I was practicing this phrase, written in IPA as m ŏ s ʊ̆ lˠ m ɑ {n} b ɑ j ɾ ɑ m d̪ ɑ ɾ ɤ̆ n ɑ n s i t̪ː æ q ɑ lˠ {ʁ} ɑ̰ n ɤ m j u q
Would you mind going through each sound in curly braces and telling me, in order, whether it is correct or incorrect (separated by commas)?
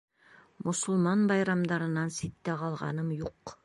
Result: correct, correct